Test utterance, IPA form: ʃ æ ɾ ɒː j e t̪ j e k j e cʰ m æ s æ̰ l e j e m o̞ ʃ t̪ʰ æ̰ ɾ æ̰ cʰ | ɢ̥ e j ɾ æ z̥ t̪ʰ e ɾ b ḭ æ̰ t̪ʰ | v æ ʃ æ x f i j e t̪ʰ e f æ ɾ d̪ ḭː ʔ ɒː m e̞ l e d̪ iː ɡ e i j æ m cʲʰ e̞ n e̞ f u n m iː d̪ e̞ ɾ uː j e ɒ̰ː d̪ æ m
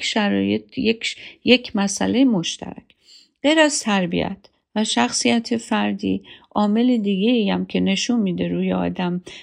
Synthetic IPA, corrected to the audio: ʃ æ ɾ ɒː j e t̪ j e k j e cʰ m æ s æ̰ l e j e m o̞ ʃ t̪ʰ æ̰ ɾ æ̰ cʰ | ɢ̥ e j ɾ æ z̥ t̪ʰ æ ɾ b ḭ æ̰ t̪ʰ | v æ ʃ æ x s i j æ t̪ʰ e f æ ɾ d̪ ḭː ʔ ɒː m e̞ l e d̪ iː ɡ e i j æ m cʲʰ e̞ n e̞ ʃ u n m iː d̪ e̞ ɾ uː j e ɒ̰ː d̪ æ m